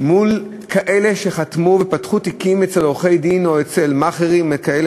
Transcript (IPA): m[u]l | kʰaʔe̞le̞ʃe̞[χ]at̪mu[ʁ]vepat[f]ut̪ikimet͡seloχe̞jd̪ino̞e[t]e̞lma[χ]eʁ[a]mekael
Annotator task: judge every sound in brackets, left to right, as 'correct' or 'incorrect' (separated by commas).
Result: correct, correct, incorrect, incorrect, incorrect, correct, incorrect